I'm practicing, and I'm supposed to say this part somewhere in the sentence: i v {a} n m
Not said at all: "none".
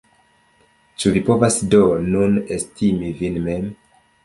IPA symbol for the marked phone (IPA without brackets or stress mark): i